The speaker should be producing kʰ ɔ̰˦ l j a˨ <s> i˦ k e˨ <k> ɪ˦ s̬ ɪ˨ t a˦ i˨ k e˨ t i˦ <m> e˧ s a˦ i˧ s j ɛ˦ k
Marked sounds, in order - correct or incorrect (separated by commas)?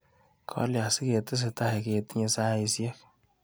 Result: correct, incorrect, incorrect